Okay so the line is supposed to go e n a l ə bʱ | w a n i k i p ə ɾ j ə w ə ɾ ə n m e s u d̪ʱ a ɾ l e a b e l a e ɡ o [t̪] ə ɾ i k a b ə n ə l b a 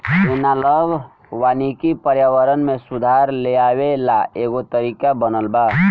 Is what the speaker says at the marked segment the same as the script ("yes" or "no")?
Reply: yes